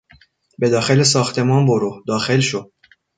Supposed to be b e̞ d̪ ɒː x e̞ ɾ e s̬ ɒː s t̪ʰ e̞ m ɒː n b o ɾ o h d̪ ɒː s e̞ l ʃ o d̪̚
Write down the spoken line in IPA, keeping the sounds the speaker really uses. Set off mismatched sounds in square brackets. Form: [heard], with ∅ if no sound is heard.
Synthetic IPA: b e̞ d̪ ɒː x e̞ [l] e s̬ ɒː [x] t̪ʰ e̞ m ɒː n b o ɾ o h d̪ ɒː [x] e̞ l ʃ o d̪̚